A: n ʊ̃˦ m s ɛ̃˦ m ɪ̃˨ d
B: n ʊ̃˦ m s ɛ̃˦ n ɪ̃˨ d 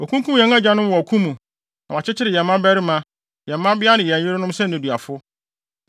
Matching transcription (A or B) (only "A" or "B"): B